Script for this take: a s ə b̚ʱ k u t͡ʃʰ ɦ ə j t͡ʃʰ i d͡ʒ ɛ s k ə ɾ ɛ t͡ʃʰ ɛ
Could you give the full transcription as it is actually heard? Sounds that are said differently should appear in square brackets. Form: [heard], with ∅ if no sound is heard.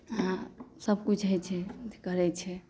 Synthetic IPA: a s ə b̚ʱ k u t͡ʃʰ ɦ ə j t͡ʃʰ [ɛ] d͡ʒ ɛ [∅] k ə ɾ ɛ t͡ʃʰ ɛ